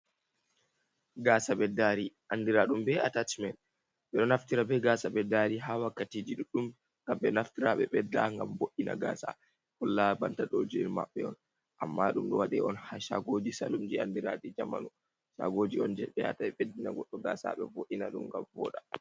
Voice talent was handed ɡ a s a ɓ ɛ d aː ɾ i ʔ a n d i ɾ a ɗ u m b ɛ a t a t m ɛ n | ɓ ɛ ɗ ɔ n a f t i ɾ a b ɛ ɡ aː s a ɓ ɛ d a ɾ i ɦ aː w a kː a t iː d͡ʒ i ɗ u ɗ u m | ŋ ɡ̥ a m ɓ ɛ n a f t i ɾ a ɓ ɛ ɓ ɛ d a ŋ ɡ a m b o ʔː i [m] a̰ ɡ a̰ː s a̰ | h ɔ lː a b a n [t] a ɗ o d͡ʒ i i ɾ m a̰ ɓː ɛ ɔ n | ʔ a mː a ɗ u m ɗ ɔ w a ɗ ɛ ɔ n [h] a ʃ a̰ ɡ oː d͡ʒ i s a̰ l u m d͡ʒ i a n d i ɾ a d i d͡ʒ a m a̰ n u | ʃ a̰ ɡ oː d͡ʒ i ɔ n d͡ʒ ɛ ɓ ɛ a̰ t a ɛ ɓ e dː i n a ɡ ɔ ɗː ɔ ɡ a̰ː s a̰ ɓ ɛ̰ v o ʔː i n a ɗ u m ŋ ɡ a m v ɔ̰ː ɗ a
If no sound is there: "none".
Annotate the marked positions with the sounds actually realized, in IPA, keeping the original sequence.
n, t, h

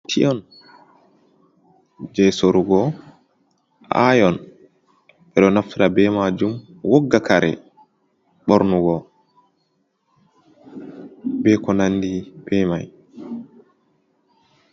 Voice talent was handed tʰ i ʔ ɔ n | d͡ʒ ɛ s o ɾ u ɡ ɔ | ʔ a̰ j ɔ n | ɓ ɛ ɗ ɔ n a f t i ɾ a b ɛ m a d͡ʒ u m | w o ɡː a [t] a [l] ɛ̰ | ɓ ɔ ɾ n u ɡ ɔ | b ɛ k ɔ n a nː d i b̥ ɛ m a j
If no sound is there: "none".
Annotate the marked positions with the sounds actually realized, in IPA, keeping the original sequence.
k, ɾ

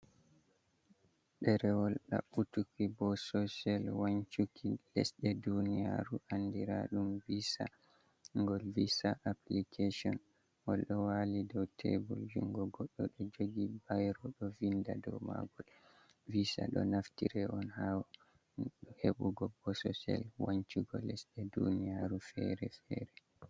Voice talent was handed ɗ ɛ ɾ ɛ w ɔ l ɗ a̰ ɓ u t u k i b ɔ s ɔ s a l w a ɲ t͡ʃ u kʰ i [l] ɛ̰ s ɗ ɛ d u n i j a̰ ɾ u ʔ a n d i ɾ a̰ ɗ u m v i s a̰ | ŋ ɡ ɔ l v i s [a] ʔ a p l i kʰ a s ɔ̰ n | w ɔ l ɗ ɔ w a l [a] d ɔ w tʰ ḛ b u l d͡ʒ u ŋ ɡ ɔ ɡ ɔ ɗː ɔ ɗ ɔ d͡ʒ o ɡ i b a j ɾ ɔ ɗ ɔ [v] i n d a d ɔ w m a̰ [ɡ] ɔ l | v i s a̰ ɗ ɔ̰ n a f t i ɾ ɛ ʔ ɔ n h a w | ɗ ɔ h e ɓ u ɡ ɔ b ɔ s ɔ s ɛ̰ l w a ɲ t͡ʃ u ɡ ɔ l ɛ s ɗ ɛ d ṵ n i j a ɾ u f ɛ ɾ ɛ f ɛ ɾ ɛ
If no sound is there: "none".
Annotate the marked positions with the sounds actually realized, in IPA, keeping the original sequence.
l, a, i, v, ɡ

